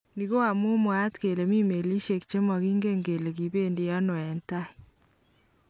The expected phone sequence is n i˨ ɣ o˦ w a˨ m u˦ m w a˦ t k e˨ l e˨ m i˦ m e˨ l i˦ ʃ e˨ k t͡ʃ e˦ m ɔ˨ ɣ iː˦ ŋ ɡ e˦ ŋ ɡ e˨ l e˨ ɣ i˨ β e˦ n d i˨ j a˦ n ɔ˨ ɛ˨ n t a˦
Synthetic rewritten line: n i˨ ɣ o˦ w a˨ m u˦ m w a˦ t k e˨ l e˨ m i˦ m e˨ l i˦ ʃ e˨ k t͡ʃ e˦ m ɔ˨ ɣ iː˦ ŋ ɡ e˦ ŋ ɡ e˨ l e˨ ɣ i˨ β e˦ n d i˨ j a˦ n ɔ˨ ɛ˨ n t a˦